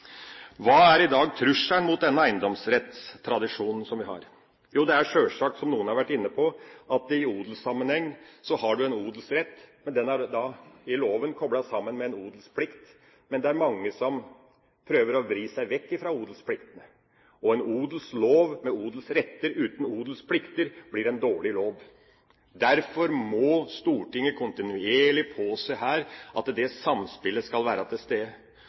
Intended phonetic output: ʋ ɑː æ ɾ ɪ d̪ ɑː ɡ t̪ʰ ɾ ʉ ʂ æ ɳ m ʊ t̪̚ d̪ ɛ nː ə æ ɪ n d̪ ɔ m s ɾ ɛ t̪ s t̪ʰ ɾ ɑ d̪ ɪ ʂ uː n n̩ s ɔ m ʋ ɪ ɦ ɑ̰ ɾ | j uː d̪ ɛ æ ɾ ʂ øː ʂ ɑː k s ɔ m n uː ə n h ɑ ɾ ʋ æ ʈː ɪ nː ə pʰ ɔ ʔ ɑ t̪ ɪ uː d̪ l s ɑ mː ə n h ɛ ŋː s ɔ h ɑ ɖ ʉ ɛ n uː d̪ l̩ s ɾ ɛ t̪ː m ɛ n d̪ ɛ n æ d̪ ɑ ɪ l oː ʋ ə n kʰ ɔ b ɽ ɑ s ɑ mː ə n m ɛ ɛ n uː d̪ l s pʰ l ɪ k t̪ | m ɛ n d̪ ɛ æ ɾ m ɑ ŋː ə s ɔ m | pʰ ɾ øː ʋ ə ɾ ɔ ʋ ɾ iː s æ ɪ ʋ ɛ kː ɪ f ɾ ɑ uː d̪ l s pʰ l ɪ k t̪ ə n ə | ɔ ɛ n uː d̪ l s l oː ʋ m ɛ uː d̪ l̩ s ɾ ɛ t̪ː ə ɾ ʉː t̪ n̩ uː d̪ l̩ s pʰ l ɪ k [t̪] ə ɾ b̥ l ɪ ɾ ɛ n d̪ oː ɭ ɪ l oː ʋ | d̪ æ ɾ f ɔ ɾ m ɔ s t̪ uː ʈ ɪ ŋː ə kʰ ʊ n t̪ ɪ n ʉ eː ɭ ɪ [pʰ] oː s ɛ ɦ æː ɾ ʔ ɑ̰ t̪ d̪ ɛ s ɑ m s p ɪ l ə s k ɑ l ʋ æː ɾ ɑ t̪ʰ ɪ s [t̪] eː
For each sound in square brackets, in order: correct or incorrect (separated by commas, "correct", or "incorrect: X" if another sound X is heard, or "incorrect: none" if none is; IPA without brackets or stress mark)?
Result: correct, correct, correct